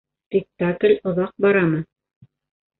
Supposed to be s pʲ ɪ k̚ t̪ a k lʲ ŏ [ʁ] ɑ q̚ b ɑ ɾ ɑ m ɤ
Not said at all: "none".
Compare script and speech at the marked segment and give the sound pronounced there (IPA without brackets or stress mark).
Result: ð